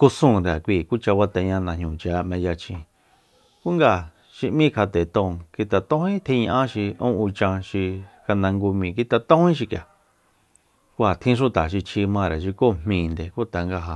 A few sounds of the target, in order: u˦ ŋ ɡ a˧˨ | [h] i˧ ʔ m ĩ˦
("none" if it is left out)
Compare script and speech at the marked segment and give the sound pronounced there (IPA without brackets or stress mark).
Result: ʃ